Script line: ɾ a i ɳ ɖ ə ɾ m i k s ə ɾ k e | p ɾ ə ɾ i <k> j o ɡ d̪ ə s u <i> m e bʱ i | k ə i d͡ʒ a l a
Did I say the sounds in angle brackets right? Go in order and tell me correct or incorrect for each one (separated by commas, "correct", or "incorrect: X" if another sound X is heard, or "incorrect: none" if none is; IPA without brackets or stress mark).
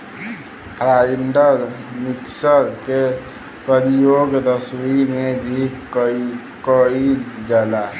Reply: incorrect: none, correct